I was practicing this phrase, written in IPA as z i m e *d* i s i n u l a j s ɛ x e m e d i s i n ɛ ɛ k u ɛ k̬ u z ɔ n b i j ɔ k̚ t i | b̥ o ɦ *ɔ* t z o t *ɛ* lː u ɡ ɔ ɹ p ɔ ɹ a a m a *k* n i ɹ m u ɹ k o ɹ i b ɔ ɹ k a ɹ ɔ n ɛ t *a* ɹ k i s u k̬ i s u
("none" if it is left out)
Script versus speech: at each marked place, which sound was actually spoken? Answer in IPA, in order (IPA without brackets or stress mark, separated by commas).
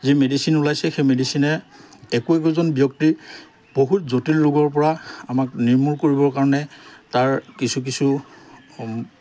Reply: d, u, i, k, a